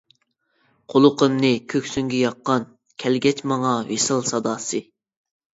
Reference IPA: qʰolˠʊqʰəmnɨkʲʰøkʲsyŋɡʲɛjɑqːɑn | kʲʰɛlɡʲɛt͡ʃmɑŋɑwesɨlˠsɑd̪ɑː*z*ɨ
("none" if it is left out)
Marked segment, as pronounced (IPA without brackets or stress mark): s